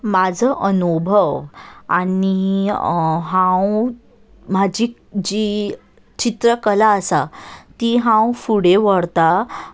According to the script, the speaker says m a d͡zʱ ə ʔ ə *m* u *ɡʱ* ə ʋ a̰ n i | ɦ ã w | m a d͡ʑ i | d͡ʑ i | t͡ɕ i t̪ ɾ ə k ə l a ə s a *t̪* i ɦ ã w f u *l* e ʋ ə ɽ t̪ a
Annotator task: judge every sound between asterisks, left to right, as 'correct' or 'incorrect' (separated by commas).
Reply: incorrect, incorrect, correct, incorrect